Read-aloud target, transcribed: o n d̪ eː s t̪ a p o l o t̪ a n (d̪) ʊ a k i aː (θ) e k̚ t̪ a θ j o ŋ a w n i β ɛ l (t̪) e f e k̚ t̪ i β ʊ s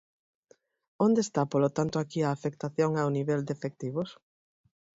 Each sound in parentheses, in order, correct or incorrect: incorrect: t̪, incorrect: f, incorrect: d̪

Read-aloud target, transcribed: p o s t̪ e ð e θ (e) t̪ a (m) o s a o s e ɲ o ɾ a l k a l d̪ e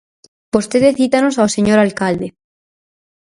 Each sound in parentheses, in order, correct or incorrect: incorrect: i, incorrect: n

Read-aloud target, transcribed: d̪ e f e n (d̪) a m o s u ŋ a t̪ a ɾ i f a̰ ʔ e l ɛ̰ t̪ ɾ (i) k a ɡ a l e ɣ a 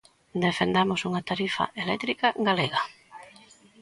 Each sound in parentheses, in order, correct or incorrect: correct, correct

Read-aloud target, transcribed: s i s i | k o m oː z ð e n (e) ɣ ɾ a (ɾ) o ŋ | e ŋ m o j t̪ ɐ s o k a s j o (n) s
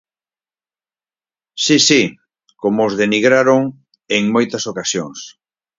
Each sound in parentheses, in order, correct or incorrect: incorrect: i, correct, incorrect: ŋ

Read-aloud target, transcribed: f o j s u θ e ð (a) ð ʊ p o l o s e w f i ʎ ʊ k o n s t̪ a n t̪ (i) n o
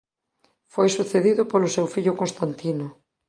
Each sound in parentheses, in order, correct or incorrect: incorrect: i, correct

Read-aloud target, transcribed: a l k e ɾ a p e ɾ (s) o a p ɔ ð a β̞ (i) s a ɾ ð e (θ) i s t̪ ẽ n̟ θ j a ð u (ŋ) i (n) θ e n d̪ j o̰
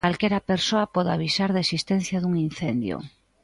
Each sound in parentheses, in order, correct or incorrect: correct, correct, incorrect: s, correct, correct

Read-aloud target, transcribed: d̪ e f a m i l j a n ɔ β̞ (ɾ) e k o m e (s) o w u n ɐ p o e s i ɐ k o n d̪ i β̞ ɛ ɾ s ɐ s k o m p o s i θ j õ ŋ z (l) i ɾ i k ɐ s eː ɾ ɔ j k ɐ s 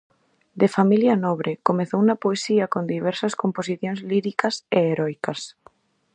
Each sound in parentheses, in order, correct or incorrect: correct, incorrect: θ, correct

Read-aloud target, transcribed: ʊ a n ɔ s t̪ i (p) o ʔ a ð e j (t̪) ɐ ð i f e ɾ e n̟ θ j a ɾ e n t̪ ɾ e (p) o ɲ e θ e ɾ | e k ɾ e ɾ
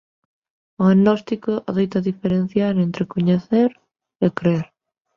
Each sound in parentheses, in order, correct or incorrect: incorrect: k, correct, incorrect: k

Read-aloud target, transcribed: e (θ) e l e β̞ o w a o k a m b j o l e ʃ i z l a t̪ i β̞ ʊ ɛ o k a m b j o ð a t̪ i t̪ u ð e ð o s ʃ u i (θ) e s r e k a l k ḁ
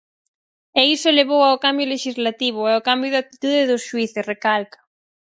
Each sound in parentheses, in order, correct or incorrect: incorrect: s, correct

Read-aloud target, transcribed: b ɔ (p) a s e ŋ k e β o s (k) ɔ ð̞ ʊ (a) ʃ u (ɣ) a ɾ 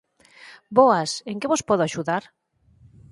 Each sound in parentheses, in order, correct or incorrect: incorrect: none, incorrect: p, correct, incorrect: ð

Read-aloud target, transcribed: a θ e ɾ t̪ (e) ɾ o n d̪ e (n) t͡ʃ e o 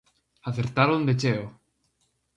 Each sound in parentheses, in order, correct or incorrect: incorrect: a, incorrect: none

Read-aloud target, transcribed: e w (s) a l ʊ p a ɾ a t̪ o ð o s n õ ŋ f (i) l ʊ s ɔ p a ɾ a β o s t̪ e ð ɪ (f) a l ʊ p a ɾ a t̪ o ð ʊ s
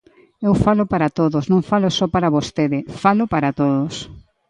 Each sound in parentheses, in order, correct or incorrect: incorrect: f, incorrect: a, correct

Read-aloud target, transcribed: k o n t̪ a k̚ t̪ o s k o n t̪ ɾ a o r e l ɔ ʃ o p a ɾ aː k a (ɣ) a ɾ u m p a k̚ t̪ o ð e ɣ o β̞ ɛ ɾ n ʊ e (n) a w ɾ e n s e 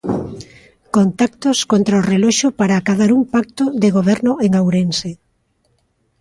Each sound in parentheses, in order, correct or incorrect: incorrect: ð, incorrect: ŋ

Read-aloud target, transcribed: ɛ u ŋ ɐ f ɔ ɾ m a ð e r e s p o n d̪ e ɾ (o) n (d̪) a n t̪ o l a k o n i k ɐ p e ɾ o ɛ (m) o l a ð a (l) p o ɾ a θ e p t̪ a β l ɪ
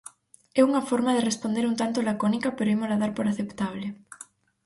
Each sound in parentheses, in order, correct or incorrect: incorrect: u, incorrect: t̪, correct, incorrect: ɾ

